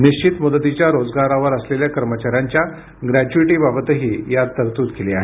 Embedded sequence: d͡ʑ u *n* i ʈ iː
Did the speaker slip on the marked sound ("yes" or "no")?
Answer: yes